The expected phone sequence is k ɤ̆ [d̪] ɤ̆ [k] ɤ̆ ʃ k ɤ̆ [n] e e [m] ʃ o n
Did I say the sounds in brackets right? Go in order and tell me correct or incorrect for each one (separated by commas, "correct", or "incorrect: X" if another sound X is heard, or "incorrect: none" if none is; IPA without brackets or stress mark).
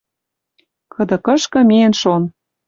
correct, correct, incorrect: m, incorrect: n